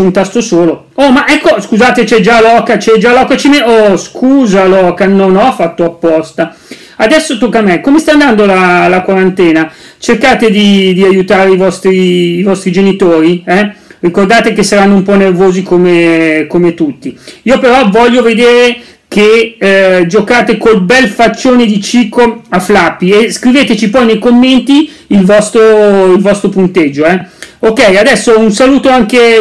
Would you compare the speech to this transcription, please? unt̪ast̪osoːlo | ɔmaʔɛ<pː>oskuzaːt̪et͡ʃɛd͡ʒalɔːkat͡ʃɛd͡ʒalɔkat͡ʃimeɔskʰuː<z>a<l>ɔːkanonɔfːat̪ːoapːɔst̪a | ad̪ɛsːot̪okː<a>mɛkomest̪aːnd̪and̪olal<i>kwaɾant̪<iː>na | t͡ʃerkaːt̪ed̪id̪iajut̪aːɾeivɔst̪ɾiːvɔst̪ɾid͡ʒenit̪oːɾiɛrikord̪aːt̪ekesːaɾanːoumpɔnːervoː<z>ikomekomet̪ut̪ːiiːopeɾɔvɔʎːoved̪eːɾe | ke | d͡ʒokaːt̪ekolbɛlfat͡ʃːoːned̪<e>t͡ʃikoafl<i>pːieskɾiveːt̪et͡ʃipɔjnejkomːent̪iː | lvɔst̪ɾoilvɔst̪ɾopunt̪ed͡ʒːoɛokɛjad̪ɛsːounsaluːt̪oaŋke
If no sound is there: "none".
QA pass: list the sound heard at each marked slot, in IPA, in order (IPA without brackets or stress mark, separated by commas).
kː, z, l, a, a, ɛː, z, i, a